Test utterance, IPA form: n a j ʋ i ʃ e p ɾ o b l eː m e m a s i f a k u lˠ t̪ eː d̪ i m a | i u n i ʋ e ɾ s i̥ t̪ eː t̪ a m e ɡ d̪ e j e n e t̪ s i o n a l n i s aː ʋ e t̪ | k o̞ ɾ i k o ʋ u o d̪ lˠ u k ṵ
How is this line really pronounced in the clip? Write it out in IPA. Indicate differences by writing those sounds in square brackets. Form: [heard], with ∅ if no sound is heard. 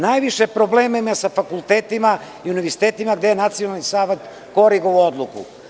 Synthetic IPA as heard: n a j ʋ i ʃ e p ɾ o b l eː m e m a s [a] f a k u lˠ t̪ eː [t̪] i m a | i u n i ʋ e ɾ s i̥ t̪ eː t̪ [i] m [a] ɡ d̪ e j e n [a] t̪ s i o n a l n i s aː ʋ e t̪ | k o̞ ɾ i [ɡ] o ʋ u o d̪ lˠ u k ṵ